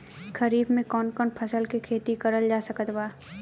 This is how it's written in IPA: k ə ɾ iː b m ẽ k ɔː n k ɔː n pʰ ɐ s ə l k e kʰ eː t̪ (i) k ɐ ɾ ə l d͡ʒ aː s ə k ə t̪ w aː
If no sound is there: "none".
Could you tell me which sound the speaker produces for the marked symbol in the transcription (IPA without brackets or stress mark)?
i